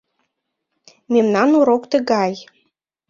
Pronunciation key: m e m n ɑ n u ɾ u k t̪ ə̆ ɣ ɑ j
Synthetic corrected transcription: m e m n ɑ n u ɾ o k t̪ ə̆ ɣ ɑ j